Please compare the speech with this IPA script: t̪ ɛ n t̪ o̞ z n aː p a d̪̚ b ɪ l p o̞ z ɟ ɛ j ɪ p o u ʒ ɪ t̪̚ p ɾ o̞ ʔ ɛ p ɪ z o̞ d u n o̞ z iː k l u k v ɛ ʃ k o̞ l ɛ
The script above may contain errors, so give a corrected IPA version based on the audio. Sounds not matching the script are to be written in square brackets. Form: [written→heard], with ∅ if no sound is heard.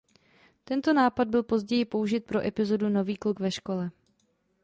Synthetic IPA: t̪ ɛ n t̪ o̞ [z→∅] n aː p a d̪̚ b ɪ l p o̞ z ɟ ɛ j ɪ p o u ʒ ɪ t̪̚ p ɾ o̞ ʔ ɛ p ɪ z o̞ d u n o̞ [z→v] iː k l u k v ɛ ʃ k o̞ l ɛ